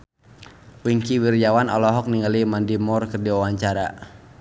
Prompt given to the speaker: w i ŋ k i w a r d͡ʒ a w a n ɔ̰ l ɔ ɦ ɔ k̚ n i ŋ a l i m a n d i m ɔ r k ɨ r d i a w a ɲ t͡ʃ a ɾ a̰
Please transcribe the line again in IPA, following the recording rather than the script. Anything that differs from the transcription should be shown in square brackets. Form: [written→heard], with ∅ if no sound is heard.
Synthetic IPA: w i ŋ k i w [a→i] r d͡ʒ a w a n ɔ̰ l ɔ ɦ ɔ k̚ n i ŋ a l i m a n d i m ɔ r k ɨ r d i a w a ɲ t͡ʃ a ɾ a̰

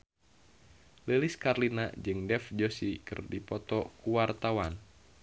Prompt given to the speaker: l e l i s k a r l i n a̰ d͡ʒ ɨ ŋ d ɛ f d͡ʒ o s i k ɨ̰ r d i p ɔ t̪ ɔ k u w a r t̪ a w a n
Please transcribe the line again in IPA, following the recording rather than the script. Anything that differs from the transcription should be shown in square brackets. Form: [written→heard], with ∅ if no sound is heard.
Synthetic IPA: l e l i s k a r l i n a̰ d͡ʒ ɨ ŋ d ɛ f d͡ʒ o s i k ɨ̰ r d i p ɔ t̪ ɔ k u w a r t̪ a w a n

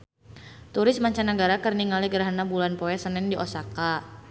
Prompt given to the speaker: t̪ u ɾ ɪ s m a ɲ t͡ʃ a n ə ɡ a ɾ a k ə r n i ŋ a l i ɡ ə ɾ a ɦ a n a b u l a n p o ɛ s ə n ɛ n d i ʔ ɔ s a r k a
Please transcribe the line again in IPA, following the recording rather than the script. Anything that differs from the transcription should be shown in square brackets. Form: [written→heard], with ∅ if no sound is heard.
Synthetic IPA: t̪ u ɾ ɪ s m a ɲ t͡ʃ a n ə ɡ a ɾ a k ə r n i ŋ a l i ɡ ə ɾ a ɦ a n a b u l a n p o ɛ s ə n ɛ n d i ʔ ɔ s a [r→∅] k a

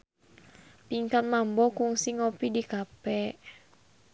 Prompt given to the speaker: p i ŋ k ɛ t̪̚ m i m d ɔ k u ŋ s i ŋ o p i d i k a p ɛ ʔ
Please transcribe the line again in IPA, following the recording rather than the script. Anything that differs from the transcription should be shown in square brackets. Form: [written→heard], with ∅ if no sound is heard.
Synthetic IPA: p i ŋ k [ɛ→a] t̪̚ m [i→a] m [d→b] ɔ k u ŋ s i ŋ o p i d i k a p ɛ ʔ

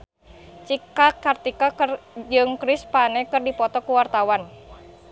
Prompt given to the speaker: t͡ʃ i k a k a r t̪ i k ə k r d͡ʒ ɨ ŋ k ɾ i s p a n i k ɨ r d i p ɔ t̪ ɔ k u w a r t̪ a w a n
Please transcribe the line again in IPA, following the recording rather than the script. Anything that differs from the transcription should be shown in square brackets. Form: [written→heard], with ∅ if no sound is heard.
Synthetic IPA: t͡ʃ i k a k a r t̪ i k [ə→a] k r d͡ʒ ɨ ŋ k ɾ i s p a n [i→ɛ] k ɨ r d i p ɔ t̪ ɔ k u w a r t̪ a w a n

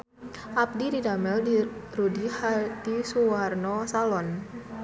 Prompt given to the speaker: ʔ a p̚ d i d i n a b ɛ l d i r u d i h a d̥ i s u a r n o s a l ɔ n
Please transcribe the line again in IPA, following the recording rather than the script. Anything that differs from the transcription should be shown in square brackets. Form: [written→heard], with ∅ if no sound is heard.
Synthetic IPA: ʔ a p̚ d i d i [n→d] a [b→m] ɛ l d i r u d i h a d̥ i s u a r n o s a l ɔ n

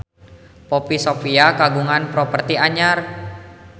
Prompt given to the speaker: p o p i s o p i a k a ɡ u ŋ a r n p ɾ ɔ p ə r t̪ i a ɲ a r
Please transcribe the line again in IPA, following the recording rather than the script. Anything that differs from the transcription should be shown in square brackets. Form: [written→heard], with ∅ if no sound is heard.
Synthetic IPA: p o p i s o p i a k a ɡ u ŋ a [r→∅] n p ɾ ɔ p ə r t̪ i a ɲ a r

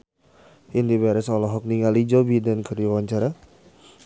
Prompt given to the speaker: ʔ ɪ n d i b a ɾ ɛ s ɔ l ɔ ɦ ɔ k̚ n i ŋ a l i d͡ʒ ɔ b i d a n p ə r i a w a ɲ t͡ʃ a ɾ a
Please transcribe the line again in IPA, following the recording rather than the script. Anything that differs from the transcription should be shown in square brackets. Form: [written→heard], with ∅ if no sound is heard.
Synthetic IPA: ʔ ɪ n d i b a ɾ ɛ s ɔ l ɔ ɦ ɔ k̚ n i ŋ a l i d͡ʒ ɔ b i d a n [p→k] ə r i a w a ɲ t͡ʃ a ɾ a

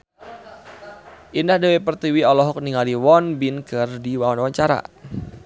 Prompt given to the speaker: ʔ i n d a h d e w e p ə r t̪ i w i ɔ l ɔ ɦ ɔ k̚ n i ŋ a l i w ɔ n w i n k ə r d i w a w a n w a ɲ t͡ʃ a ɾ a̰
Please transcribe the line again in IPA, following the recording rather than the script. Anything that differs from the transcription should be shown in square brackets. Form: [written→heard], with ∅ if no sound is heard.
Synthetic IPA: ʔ i n d a h d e w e p ə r t̪ i w i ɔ l ɔ ɦ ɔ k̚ n i ŋ a l i w ɔ n [w→b] i n k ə r d i w a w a n w a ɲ t͡ʃ a ɾ a̰

